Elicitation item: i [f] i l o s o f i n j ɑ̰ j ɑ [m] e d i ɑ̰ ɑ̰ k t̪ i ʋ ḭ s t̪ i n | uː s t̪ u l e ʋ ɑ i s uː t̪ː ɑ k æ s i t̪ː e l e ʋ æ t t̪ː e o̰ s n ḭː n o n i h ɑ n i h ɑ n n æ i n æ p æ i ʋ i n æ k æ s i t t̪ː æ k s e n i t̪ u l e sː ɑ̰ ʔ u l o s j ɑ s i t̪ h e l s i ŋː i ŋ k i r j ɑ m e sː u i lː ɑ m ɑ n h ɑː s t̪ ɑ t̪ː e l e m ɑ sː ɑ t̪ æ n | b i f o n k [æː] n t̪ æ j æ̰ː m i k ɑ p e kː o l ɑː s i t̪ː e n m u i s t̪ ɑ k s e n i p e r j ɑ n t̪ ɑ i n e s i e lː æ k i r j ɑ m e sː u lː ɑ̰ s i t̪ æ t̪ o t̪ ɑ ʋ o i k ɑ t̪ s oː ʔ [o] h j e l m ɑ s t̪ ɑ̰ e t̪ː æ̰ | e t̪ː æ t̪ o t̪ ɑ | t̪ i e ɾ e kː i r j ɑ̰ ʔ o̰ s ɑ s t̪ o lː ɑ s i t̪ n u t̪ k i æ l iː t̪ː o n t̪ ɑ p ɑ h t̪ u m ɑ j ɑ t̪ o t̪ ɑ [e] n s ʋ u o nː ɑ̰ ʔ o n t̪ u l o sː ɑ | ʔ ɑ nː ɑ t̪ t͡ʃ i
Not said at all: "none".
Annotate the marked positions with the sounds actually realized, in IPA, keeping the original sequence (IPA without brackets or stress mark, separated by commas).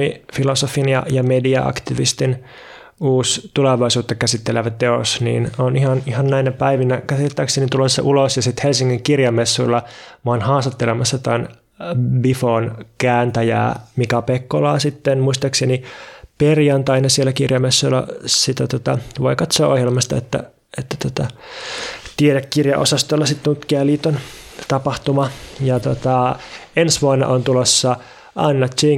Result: f, m, æː, o, e